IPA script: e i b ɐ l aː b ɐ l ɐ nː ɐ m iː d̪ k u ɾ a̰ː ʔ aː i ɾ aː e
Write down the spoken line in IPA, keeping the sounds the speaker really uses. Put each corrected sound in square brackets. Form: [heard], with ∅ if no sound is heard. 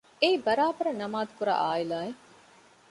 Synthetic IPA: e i b ɐ [ɾ] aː b ɐ [ɾ] ɐ [n] ɐ m [aː] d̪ k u ɾ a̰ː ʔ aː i [l] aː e